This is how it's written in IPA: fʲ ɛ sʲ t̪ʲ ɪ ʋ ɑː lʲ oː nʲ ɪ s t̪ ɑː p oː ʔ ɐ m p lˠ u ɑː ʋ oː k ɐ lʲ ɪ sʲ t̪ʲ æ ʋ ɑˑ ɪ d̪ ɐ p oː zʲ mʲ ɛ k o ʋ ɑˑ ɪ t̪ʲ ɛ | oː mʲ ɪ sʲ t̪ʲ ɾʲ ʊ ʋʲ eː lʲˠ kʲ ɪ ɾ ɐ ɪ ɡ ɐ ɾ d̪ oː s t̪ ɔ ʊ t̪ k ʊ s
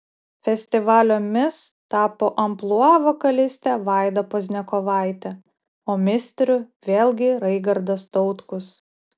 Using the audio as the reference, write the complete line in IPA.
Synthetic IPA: fʲ ɛ sʲ t̪ʲ ɪ ʋ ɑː lʲ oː mʲ ɪ s t̪ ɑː p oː ʔ ɐ m p lˠ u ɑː ʋ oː k ɐ lʲ ɪ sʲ t̪ʲ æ ʋ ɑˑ ɪ d̪ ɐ p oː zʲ nʲ ɛ k o ʋ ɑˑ ɪ t̪ʲ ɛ | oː mʲ ɪ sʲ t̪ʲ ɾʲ ʊ ʋʲ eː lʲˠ ɡʲ ɪ ɾ ɐ ɪ ɡ ɐ ɾ d̪ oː s t̪ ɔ ʊ t̪ k ʊ s